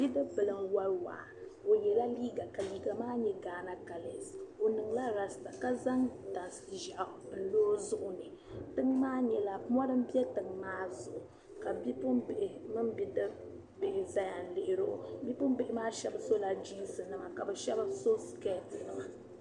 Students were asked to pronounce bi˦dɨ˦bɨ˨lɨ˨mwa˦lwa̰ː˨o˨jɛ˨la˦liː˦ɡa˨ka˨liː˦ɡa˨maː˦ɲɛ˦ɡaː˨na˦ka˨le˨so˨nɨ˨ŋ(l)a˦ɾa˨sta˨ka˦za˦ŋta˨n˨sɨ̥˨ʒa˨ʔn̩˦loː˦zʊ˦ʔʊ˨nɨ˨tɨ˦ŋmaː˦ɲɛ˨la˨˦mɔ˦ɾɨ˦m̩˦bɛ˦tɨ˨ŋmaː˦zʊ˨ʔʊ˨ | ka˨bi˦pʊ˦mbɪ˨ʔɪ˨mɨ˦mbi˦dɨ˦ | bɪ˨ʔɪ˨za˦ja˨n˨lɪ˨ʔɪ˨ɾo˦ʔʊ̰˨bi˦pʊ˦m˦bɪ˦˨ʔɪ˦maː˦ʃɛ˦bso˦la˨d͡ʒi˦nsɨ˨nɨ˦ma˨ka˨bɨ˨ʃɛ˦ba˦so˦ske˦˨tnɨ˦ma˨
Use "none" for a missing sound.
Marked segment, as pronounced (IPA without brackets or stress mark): l